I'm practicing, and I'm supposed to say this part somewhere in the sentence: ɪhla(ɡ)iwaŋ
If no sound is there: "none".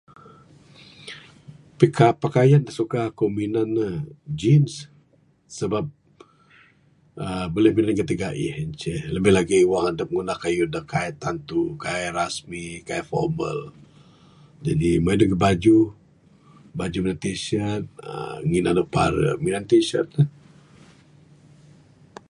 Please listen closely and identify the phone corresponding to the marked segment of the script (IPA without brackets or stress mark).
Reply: ɡ